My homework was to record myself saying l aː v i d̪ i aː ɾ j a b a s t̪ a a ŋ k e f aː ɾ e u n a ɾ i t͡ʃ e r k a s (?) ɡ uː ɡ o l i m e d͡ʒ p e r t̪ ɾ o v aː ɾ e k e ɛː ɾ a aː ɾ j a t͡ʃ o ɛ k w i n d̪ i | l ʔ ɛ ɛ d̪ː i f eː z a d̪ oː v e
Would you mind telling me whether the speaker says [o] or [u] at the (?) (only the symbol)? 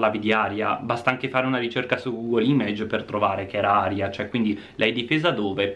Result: u